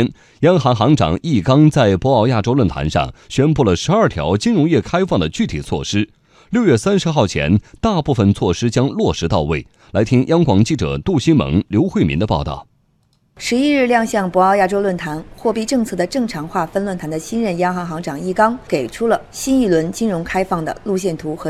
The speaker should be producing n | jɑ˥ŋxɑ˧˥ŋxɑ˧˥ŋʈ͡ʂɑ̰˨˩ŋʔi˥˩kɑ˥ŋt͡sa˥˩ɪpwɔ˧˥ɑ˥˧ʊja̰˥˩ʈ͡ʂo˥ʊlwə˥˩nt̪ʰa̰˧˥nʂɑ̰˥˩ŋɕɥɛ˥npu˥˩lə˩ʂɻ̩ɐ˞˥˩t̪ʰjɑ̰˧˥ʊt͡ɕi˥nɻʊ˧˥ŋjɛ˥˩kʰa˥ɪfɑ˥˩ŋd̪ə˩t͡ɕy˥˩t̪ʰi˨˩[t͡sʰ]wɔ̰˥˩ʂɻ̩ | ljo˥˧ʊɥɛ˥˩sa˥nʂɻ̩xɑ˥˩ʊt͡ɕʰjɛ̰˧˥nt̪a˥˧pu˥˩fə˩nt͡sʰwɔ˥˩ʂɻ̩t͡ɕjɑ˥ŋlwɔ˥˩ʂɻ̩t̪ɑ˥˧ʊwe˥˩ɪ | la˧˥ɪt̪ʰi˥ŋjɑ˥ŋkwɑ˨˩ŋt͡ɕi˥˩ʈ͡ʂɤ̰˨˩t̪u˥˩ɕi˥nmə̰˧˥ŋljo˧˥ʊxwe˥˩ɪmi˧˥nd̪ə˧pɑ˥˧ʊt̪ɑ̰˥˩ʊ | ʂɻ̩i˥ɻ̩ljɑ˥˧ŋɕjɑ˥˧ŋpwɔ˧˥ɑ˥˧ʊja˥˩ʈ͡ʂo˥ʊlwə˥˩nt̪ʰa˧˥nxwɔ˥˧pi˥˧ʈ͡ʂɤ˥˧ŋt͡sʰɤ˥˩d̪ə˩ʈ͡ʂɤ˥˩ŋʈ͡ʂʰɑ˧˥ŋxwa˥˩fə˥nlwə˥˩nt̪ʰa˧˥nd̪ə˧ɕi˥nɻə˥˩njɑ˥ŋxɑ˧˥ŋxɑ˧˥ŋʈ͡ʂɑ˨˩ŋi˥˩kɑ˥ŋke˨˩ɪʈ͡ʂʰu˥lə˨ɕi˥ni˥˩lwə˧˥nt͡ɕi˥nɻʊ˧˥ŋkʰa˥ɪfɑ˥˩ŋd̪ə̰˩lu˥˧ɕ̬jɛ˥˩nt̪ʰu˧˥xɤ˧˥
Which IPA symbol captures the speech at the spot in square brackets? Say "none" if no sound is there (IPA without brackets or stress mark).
t͡sʰ